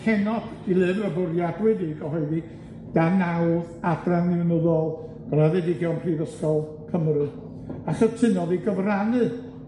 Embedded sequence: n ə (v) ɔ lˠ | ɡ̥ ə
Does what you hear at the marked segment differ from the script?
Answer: yes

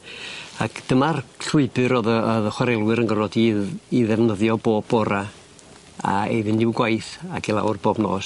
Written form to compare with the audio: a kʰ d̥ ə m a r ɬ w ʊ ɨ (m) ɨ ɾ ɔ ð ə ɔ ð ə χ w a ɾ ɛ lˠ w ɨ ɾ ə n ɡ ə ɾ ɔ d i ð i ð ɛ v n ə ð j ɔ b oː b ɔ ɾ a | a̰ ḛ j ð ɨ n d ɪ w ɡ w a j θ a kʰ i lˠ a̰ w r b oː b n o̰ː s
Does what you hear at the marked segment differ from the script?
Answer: yes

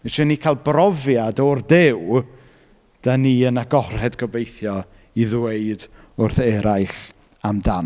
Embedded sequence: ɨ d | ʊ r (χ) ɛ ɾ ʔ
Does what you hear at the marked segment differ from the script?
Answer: yes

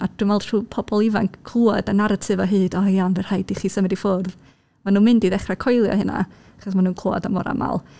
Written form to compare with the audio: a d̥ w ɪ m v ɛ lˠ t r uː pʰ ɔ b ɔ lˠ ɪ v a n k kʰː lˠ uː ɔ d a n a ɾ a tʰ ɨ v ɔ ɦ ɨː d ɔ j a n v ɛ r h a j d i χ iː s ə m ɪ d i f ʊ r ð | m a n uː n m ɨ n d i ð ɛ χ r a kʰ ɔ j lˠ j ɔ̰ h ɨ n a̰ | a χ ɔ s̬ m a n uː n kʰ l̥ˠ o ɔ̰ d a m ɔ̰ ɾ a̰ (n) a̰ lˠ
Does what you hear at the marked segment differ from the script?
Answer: yes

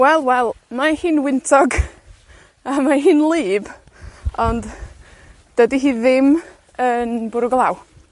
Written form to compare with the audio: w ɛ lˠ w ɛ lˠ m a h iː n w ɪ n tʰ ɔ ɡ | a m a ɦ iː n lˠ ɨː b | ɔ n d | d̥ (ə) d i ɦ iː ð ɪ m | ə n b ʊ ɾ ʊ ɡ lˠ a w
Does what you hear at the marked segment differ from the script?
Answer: no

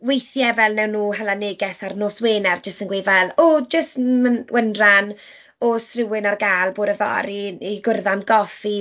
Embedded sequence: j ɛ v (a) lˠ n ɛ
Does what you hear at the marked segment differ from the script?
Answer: yes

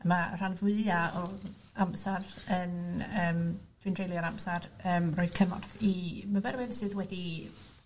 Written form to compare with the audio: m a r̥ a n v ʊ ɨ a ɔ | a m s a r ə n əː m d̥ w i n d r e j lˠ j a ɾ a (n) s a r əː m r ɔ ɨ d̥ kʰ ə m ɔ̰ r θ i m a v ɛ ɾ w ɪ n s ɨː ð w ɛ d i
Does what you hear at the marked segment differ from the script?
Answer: yes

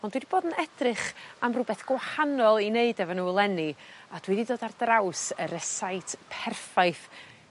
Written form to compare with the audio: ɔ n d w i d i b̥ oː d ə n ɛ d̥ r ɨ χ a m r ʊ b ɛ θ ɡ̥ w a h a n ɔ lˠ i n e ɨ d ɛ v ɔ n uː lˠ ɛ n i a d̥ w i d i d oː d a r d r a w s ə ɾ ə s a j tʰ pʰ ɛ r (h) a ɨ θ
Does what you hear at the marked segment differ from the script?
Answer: yes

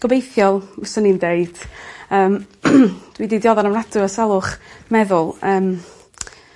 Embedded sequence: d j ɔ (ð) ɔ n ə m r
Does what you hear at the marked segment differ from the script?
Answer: no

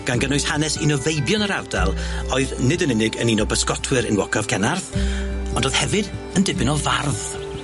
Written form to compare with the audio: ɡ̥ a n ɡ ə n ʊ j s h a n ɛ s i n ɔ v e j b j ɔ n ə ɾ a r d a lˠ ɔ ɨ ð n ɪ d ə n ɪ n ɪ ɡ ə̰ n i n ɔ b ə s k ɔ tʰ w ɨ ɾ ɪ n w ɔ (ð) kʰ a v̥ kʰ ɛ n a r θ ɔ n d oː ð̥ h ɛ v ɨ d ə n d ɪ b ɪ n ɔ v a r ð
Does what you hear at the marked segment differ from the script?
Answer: yes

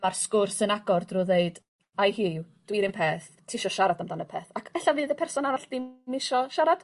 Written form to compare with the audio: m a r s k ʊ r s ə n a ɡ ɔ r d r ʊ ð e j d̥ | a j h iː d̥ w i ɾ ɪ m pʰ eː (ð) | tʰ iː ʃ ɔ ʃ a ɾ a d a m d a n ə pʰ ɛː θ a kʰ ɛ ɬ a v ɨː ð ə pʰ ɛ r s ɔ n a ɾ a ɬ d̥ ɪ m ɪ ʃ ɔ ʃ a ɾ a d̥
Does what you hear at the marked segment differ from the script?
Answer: yes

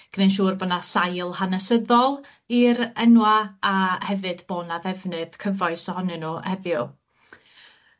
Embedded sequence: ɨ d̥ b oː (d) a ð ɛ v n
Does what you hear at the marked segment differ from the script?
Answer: yes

